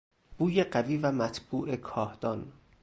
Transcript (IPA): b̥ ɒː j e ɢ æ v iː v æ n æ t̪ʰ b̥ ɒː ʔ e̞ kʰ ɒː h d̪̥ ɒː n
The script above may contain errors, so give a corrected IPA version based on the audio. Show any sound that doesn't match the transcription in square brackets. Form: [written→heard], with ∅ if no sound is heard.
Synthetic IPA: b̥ [ɒː→uː] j e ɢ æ v iː v æ [n→m] æ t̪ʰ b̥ [ɒː→uː] ʔ e̞ kʰ ɒː h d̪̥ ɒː n